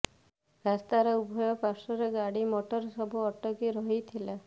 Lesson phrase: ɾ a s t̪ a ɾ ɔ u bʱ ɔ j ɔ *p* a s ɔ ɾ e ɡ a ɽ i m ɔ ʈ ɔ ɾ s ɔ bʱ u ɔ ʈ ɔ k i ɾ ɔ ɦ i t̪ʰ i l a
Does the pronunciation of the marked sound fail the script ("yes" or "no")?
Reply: no